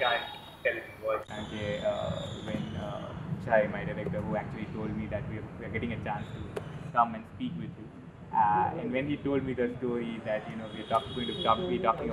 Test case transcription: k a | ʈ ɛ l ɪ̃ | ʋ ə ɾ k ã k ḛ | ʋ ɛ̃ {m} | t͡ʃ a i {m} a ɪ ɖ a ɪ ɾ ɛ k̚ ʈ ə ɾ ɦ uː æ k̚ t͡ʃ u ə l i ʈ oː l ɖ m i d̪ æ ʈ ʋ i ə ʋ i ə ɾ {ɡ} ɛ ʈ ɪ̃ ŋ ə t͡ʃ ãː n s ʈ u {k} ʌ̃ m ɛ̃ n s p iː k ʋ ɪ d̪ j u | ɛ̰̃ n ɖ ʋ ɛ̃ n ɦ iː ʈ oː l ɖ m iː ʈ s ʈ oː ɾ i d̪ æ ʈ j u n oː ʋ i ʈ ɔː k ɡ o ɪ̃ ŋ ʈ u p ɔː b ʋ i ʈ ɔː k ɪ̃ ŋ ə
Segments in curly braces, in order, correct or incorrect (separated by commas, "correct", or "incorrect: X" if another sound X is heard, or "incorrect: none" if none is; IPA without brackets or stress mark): incorrect: n, correct, correct, correct